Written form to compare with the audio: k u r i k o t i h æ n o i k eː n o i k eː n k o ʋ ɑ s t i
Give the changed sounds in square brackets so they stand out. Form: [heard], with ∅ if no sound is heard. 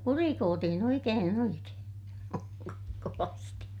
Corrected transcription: k u r i k [oː] t i h [i] n o i k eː n o i k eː n k o ʋ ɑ s t i

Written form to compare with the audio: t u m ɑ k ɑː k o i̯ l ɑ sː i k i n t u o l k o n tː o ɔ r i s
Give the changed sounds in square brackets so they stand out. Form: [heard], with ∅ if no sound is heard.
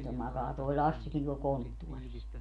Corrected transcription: t [o] m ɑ k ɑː [t] o i̯ l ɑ sː i k i n t u o l k o n tː [u] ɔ r i s

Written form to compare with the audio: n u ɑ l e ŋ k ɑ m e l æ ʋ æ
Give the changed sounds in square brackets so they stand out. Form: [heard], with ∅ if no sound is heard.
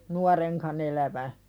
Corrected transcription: n u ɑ [r] e ŋ k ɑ [n] e l æ ʋ æ

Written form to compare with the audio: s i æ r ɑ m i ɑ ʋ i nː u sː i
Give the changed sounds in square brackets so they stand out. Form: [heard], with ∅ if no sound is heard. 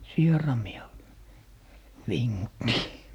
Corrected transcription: s i [e] r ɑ m i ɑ ʋ i [ŋː] u [tː] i

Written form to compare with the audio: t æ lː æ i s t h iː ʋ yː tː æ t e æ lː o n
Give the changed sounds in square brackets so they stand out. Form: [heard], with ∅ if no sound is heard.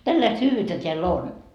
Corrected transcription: t æ lː æ i s t h [yː] ʋ yː tː æ t e æ lː o n

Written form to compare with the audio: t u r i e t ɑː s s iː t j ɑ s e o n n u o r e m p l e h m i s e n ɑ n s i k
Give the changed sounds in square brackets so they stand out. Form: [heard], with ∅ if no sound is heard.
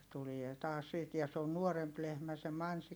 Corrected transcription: t u [l] i e t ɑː s s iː t j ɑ s e o n n u o r e m p l e h m [æ] s e [m] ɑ n s i k

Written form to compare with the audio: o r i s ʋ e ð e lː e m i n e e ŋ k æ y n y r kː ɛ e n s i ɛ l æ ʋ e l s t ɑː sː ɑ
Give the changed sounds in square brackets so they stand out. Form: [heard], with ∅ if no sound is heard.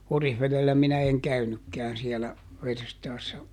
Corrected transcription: o r i [h] ʋ e ð e lː [æ] m i n [æ] e ŋ k æ y n y [∅] kː ɛ [æ] n s i ɛ l æ ʋ e [r] s t ɑː sː ɑ

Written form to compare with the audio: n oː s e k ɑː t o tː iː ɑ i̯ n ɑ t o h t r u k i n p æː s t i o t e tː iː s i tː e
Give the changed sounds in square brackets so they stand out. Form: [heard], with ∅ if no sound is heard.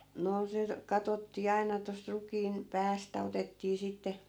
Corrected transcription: n oː s e k [ɑ] t o tː iː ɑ i̯ n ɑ t o [s] t r u k [iː] n p æː s t [æ] o t e tː iː s i tː e

